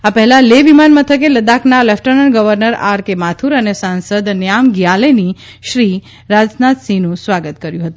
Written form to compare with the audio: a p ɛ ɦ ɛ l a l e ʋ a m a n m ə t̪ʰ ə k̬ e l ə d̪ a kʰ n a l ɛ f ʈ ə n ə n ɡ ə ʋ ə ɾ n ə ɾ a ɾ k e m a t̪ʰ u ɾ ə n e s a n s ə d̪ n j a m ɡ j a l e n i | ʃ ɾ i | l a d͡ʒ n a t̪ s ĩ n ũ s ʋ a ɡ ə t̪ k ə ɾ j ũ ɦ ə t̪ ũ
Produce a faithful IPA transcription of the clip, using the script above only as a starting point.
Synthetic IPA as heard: a p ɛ ɦ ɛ l a l e ʋ i m a n m ə t̪ʰ ə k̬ e l ə d̪ a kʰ n a l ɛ f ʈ ə n ə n ɡ ə ʋ ə ɾ n ə ɾ a ɾ k e m a t̪ʰ u ɾ ə n e s a n s ə d̪ n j a m ɡ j a l e n i | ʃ ɾ i | ɾ a d͡ʒ n a t̪ s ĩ n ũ s ʋ a ɡ ə t̪ k ə ɾ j ũ ɦ ə t̪ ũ